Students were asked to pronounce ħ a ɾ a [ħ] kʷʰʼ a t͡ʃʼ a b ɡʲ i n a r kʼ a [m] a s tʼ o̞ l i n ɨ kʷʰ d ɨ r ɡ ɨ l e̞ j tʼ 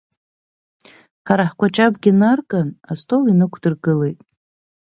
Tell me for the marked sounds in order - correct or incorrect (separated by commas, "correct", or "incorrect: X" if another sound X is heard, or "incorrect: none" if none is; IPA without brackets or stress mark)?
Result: correct, incorrect: n